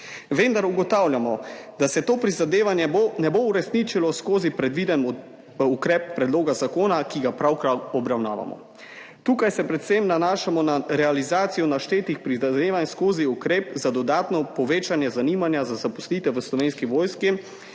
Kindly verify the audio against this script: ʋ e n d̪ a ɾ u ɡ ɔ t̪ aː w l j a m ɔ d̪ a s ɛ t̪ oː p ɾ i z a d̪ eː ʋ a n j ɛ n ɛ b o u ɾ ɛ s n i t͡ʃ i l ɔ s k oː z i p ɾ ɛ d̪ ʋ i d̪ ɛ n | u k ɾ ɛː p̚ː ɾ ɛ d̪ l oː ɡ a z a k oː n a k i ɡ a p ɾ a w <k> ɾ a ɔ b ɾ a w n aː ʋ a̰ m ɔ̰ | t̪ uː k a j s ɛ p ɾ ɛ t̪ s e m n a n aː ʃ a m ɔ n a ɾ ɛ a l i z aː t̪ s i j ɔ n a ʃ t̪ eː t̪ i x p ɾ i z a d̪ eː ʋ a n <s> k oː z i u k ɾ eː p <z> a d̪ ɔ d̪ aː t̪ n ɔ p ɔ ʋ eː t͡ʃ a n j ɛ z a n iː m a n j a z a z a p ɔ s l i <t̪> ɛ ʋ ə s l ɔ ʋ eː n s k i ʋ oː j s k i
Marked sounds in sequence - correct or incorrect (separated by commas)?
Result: correct, correct, correct, correct